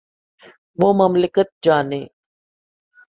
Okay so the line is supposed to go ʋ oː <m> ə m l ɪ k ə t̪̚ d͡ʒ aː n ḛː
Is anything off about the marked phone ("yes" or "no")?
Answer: no